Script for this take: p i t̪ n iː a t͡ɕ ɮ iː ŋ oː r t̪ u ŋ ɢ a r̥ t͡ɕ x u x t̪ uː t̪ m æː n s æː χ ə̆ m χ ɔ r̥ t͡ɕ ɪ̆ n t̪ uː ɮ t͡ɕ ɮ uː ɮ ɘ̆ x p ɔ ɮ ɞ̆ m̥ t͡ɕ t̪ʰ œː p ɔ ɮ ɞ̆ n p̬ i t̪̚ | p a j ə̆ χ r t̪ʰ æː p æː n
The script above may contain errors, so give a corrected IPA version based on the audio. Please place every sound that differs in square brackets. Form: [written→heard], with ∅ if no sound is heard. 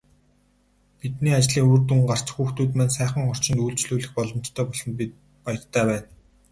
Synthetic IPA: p i t̪ n iː a t͡ɕ ɮ iː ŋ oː r t̪ u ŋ ɢ a r̥ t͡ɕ x [u→uː] x t̪ uː t̪ m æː n s æː χ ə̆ [m→ŋ] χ ɔ r̥ t͡ɕ ɪ̆ n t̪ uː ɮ t͡ɕ ɮ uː ɮ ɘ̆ x p ɔ ɮ ɞ̆ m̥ t͡ɕ t̪ʰ œː p ɔ ɮ ɞ̆ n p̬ i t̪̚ | p a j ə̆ [χ→∅] r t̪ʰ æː p æː n